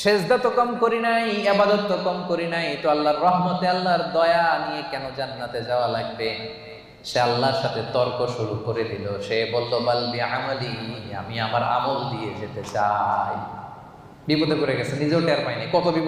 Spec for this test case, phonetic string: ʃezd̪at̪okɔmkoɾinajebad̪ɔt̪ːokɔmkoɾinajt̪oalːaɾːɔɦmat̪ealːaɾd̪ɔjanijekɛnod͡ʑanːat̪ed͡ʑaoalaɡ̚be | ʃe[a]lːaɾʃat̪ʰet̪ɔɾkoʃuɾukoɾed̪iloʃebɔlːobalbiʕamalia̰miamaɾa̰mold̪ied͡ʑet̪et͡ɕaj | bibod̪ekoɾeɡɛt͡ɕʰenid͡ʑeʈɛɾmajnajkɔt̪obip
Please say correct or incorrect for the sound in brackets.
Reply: correct